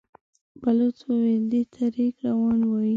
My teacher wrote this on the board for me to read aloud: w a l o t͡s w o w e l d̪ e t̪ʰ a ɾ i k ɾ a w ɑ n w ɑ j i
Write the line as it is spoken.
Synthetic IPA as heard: b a l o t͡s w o w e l d̪ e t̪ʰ a ɾ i k ɾ a w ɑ n w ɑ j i